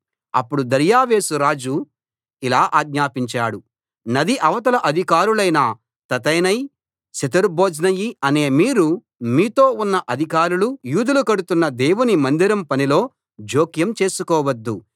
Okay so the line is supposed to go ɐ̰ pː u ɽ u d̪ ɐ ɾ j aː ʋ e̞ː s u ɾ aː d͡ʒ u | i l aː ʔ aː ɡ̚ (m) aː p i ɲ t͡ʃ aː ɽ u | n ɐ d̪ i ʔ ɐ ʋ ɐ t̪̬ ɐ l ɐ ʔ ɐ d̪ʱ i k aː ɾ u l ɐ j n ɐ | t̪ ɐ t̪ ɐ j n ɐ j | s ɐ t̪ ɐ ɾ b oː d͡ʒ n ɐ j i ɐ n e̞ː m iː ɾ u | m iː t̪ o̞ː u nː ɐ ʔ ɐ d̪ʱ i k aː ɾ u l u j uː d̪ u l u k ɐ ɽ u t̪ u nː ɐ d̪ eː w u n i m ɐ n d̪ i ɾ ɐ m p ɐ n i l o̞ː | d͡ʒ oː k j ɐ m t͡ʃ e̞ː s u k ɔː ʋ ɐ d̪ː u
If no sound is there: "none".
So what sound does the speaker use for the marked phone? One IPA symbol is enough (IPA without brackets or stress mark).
ɲ